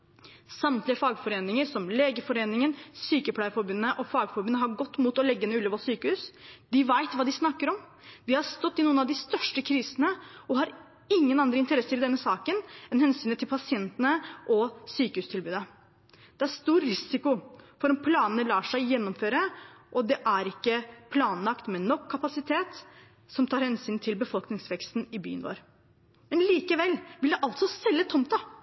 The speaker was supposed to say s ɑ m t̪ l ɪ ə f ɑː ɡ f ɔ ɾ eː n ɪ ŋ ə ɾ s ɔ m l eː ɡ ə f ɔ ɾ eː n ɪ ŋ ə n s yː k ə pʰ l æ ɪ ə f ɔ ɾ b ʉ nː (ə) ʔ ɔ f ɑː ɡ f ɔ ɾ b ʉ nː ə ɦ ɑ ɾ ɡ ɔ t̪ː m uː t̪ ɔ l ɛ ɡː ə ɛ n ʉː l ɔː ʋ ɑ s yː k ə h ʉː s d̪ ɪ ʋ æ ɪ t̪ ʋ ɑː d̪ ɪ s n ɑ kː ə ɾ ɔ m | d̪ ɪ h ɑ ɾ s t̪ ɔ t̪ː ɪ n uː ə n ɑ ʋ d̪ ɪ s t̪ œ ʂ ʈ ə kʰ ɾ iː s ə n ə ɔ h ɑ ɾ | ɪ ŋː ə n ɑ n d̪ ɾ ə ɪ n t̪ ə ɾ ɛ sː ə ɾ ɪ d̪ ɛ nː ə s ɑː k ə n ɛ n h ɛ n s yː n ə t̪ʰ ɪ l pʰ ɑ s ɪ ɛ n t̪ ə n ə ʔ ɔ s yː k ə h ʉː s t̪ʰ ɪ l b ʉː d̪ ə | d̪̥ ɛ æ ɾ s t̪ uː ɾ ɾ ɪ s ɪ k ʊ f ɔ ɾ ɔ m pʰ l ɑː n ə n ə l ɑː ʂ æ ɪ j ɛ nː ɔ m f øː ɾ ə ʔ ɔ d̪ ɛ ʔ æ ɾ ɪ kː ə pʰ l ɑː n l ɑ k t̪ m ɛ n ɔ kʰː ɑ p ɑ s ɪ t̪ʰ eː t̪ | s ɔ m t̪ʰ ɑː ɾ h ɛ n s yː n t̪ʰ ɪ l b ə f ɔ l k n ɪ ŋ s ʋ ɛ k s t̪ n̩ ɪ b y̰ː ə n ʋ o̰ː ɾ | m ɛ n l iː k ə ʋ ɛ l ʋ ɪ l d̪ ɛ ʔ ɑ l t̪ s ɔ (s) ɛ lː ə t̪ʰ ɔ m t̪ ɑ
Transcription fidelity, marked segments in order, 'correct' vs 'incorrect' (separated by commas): correct, correct